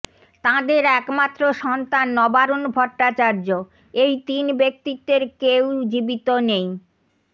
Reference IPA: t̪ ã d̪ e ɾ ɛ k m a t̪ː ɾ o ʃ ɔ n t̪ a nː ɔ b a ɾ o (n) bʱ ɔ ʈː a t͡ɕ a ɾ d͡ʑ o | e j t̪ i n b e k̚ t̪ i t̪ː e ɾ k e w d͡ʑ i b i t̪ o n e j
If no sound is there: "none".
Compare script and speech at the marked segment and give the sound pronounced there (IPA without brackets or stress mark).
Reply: n